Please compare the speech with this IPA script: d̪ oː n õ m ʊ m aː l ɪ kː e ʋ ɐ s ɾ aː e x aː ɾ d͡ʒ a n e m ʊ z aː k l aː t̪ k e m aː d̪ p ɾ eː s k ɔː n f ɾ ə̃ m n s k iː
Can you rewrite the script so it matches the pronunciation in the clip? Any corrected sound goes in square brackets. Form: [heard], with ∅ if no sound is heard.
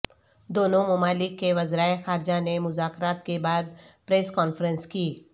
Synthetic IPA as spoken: d̪ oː n õ m ʊ m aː l ɪ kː e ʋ ɐ [z] ɾ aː e x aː ɾ d͡ʒ a n e m ʊ z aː k [ɾ] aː t̪ k e [b] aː d̪ p ɾ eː s k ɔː n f ɾ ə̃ [∅] n s k iː